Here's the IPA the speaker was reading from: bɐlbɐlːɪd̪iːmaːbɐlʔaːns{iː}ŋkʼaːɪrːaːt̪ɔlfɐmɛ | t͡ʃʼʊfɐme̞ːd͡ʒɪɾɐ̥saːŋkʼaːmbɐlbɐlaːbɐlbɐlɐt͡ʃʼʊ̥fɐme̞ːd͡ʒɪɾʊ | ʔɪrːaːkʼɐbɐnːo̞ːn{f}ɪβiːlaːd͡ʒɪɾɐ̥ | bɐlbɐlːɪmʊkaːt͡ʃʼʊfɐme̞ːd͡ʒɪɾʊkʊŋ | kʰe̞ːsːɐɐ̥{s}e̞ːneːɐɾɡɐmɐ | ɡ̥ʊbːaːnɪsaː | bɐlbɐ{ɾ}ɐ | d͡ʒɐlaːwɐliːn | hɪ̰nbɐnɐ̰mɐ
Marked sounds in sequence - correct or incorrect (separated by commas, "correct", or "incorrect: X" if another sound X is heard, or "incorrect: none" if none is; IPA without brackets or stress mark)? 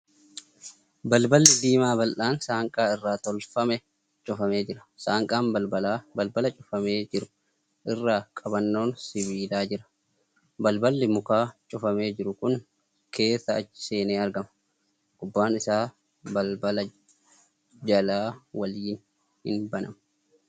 incorrect: aː, incorrect: s, correct, incorrect: l